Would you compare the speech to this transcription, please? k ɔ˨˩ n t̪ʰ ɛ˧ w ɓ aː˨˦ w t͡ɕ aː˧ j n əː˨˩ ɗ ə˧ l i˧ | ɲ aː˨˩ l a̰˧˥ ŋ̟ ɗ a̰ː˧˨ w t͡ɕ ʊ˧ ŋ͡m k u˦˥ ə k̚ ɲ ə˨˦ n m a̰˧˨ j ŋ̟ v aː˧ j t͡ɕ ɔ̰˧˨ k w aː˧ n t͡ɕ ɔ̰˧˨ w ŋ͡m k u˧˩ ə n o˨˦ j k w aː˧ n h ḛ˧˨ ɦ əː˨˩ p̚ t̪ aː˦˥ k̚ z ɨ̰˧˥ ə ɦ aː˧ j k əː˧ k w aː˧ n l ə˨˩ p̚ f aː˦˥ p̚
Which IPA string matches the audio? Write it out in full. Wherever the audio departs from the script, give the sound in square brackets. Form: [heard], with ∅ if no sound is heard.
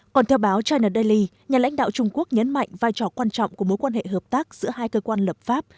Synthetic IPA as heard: k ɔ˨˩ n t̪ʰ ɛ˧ w ɓ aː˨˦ w t͡ɕ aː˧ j n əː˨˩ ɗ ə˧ l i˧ | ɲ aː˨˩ l a̰˧˥ ŋ̟ ɗ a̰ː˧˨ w t͡ɕ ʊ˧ ŋ͡m k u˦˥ ə k̚ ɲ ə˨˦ n m a̰˧˨ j ŋ̟ v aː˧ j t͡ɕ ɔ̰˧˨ k w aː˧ n t͡ɕ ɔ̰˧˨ w ŋ͡m k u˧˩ ə [m] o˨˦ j k w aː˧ n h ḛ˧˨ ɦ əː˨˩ p̚ t̪ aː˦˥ k̚ z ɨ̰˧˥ ə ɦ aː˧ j k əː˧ k w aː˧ n l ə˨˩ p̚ f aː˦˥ p̚